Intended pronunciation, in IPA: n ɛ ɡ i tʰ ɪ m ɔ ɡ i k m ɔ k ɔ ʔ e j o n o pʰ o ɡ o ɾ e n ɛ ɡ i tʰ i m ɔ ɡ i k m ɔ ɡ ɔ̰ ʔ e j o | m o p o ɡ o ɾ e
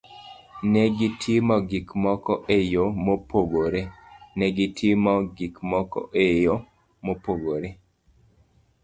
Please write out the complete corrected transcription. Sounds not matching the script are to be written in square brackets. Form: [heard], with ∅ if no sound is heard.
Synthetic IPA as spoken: n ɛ ɡ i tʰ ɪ m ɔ ɡ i k m ɔ k ɔ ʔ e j o [m] o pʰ o ɡ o ɾ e n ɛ ɡ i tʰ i m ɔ ɡ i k m ɔ [k] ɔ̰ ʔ e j o | m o p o ɡ o ɾ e